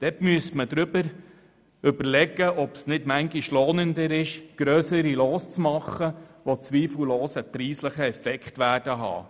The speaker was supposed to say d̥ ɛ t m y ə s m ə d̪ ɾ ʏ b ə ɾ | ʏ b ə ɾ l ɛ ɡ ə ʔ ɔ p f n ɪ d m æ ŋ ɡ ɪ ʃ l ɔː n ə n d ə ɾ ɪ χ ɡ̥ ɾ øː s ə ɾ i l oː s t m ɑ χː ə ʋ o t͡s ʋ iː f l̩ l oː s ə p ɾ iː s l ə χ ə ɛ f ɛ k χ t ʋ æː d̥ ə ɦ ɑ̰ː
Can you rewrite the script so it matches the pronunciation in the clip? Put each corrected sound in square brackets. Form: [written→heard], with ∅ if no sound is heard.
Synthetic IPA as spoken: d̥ ɛ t m y ə s m ə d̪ ɾ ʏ b ə ɾ | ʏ b ə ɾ l ɛ ɡ ə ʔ ɔ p [f→s] n ɪ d m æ ŋ ɡ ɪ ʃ l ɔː n ə n d ə ɾ ɪ [χ→ʃ] ɡ̥ ɾ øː s ə ɾ i l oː s [t→t͡s] m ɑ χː ə ʋ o t͡s ʋ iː f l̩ l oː s ə p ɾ iː s l ə χ ə ɛ f ɛ k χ t ʋ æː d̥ ə ɦ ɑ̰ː